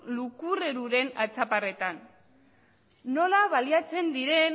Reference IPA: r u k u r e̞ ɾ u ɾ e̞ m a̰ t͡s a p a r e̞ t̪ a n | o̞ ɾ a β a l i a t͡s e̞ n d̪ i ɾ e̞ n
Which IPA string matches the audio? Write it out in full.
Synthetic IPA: l u k u r e̞ ɾ u ɾ e̞ n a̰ t͡s a p a r e̞ t̪ a n | o̞ l a β a l i a t͡s e̞ n d̪ i ɾ e̞ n